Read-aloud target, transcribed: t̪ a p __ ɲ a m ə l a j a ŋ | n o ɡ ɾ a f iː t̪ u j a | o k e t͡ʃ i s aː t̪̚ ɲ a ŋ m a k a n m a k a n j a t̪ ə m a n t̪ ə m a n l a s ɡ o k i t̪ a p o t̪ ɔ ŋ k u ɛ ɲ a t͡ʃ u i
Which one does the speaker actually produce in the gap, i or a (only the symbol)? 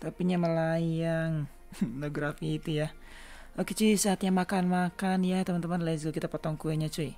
i